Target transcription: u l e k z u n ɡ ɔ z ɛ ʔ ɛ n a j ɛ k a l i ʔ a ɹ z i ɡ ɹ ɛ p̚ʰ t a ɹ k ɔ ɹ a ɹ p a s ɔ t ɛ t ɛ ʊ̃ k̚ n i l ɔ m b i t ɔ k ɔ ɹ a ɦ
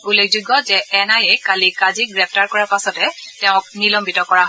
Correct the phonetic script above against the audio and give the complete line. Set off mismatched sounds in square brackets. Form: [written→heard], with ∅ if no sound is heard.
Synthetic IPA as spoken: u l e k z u [n→∅] ɡ ɔ z ɛ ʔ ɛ n a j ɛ k a l i [ʔ→k] a [ɹ→∅] z i ɡ ɹ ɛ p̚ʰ t a ɹ k ɔ ɹ a ɹ p a s ɔ t ɛ t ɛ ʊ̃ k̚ n i l ɔ m b i t ɔ k ɔ ɹ a ɦ

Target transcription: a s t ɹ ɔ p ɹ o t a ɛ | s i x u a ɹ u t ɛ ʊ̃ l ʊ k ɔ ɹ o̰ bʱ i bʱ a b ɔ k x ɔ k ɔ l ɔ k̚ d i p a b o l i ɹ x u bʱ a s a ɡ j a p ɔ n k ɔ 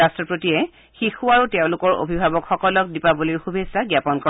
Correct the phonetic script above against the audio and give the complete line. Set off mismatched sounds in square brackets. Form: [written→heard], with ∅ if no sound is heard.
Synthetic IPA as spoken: a s t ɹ ɔ p ɹ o t [a→i] ɛ | [s→x] i x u a ɹ u t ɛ ʊ̃ l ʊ k ɔ ɹ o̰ bʱ i bʱ a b ɔ k x ɔ k ɔ l ɔ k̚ d i p a b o l i ɹ x u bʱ [a→e] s a ɡ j a p ɔ n k ɔ

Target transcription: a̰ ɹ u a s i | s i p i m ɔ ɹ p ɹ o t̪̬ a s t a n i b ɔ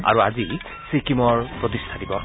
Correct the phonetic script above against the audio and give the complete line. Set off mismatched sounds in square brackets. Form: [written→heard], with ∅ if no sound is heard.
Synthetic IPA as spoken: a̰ ɹ u a [s→z] i | s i [p→k] i m ɔ ɹ p ɹ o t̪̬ [a→i] s [t→tʰ] a [n→d] i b ɔ

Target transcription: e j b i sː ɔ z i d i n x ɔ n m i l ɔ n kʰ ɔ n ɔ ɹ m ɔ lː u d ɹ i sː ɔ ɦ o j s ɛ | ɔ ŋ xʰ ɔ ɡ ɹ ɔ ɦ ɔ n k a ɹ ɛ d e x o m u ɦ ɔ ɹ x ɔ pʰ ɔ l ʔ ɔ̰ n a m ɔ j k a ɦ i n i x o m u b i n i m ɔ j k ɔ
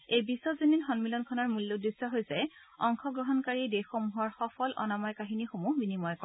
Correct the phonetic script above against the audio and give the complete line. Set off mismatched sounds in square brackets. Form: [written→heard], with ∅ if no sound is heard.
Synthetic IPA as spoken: e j b i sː ɔ z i [d→n] i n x ɔ n m i l ɔ n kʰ ɔ n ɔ ɹ m [ɔ→u] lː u d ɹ i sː ɔ ɦ o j s ɛ | ɔ ŋ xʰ ɔ ɡ ɹ ɔ ɦ ɔ n k a ɹ [ɛ→i] d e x o m u ɦ ɔ ɹ x ɔ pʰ ɔ l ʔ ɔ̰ n a m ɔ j k a ɦ i n i x o m u b i n i m ɔ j k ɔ

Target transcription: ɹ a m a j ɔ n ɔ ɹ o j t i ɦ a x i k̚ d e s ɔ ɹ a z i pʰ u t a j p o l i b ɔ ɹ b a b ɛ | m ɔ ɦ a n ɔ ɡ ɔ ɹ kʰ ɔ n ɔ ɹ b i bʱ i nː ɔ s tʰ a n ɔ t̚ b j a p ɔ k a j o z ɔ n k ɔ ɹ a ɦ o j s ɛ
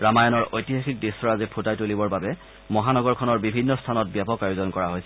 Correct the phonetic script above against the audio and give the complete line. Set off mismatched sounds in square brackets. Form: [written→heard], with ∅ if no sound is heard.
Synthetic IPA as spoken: ɹ a m a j ɔ n ɔ ɹ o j t i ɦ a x i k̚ d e s ɔ ɹ a z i pʰ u t a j [p→t] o l i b ɔ ɹ b a b ɛ | m ɔ ɦ a n ɔ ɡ ɔ ɹ kʰ ɔ n ɔ ɹ b i bʱ i nː ɔ s tʰ a n ɔ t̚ b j a p ɔ k a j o z ɔ n k ɔ ɹ a ɦ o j s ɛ

